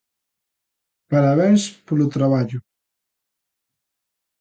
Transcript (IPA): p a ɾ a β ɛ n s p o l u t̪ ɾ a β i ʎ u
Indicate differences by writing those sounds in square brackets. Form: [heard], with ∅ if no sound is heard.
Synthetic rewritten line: p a ɾ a β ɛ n s p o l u t̪ ɾ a β [a] ʎ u